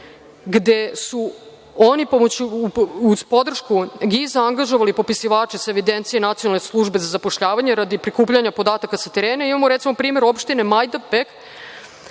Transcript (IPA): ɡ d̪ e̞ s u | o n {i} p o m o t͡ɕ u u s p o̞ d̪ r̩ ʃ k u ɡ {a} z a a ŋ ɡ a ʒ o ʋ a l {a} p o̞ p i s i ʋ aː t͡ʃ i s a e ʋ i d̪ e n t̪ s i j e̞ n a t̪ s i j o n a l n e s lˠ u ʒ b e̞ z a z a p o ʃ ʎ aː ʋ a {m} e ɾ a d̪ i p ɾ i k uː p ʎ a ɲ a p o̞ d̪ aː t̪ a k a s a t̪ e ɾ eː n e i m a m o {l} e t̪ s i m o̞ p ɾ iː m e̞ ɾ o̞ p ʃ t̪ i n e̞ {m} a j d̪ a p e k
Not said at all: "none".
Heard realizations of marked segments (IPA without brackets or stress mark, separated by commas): i, i, i, ɲ, ɾ, m